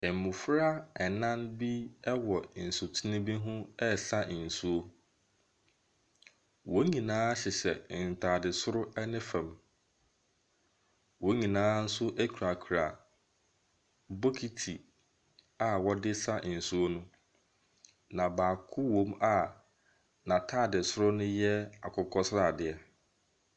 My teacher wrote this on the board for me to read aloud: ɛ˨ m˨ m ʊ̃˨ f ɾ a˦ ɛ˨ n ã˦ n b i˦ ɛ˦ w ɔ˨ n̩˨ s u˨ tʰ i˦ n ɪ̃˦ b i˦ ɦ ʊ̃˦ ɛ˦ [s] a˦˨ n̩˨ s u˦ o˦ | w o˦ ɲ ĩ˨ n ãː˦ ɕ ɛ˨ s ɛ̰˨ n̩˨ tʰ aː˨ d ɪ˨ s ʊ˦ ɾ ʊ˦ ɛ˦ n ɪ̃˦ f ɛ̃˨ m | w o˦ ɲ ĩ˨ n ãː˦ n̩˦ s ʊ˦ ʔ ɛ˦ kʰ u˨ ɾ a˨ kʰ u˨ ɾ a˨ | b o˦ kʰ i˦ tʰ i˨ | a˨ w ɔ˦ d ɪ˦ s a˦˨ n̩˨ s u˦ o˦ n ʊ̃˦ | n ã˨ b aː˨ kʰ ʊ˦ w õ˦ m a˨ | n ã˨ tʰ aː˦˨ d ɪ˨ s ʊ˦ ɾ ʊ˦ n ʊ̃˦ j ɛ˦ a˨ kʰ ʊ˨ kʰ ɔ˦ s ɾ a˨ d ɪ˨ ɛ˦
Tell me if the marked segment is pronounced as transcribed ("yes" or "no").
yes